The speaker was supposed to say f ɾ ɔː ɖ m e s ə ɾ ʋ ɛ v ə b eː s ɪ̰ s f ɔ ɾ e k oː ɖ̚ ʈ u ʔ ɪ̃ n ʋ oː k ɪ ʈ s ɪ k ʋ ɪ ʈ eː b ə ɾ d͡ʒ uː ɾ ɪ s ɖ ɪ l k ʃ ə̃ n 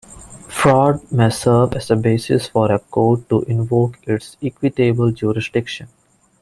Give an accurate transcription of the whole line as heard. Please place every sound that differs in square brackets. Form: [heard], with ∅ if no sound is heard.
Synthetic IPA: f ɾ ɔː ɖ m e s ə ɾ ʋ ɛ [z] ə b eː s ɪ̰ s f ɔ ɾ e k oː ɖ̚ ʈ u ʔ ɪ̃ n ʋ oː k ɪ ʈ s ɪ k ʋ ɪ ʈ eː b ə [l] d͡ʒ uː ɾ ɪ s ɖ ɪ [∅] k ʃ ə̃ n